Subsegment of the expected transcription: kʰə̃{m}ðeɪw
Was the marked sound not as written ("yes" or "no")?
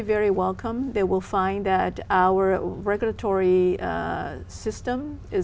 no